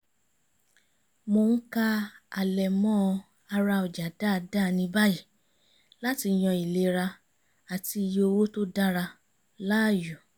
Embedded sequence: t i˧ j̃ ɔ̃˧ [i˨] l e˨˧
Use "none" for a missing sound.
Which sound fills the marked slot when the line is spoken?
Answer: i˨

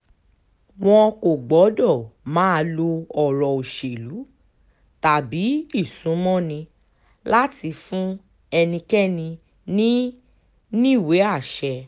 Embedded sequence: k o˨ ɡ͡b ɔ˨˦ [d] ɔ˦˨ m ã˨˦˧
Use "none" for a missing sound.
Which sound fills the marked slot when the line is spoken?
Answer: d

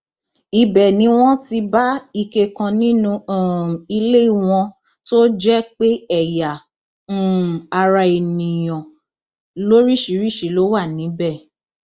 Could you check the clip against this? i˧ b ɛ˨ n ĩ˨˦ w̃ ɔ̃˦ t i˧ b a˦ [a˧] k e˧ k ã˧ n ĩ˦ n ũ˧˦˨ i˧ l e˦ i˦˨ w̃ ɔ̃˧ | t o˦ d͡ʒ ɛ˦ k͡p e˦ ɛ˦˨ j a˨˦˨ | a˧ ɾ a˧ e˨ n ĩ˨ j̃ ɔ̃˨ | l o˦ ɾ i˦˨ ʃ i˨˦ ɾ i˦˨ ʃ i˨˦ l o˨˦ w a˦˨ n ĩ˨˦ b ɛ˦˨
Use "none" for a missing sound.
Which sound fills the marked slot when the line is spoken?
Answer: i˧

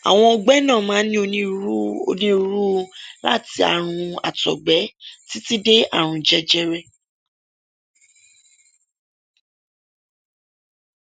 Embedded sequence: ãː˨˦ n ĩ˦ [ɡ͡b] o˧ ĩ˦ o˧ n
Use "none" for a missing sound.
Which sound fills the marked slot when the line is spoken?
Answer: none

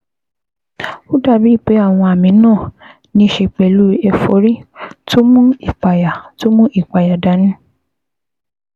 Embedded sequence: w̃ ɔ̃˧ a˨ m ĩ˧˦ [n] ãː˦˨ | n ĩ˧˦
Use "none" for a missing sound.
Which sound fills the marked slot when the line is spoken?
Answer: n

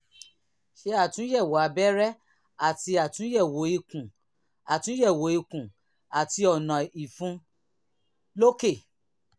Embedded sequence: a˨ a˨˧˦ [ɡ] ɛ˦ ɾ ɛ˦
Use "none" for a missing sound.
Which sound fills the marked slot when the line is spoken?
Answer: b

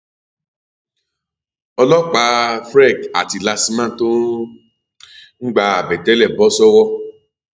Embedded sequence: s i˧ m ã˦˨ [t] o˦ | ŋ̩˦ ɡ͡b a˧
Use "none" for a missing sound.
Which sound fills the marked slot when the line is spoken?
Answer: t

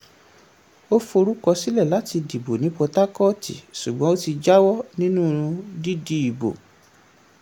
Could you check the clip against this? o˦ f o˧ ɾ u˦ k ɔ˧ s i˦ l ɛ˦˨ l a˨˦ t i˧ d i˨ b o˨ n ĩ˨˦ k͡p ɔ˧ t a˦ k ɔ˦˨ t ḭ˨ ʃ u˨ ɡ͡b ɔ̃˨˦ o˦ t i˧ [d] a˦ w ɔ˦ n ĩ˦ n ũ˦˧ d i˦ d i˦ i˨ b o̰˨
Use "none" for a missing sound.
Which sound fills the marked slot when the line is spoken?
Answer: d͡ʒ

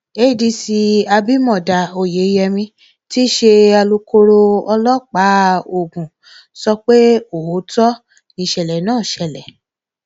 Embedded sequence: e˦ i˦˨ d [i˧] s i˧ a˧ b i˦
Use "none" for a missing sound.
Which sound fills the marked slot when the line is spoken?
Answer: i˧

